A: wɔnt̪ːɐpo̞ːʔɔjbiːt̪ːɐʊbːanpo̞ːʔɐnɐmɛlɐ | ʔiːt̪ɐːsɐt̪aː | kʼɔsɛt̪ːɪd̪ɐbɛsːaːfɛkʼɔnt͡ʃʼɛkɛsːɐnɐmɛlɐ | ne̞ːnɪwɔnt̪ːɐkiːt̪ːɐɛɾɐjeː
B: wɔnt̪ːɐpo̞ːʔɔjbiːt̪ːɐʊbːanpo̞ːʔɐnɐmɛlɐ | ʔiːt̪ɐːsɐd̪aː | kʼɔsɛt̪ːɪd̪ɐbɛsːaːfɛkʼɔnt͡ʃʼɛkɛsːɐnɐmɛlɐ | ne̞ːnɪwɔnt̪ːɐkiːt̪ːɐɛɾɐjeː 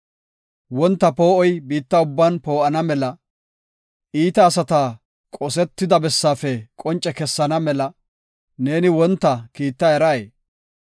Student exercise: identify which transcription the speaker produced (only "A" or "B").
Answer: A